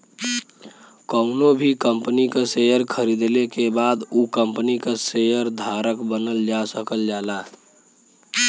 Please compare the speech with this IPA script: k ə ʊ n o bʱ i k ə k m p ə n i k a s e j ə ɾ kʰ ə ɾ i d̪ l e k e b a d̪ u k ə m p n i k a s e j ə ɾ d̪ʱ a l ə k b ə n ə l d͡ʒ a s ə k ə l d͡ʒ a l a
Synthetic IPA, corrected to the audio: k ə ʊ n o bʱ i k ə m p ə n i k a s e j ə ɾ kʰ ə ɾ i d̪ l e k e b a d̪ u k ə m p n i k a s e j ə ɾ d̪ʱ a ɾ ə k b ə n ə l d͡ʒ a s ə k ə l d͡ʒ a l a